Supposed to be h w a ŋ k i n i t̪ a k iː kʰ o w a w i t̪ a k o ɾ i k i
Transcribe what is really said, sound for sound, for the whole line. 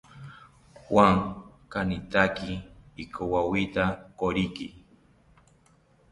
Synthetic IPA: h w a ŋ k a n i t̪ a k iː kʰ o w a w i t̪ a k o ɾ i k i